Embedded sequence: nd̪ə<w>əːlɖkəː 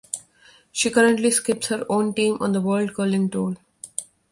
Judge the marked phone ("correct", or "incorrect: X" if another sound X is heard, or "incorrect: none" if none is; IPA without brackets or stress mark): incorrect: ʋ